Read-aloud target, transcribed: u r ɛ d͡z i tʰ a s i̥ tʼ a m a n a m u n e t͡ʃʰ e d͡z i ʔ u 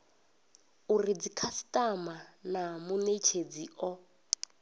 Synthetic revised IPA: u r i d͡z i kʰ a s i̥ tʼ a m a n a m u n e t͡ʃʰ e d͡z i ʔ ɔ